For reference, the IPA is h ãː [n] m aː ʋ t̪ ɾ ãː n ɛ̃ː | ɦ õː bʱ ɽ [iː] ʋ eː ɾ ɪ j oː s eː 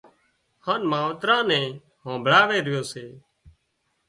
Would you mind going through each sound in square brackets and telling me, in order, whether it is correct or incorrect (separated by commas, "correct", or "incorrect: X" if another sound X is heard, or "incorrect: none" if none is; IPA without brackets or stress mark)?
correct, incorrect: aː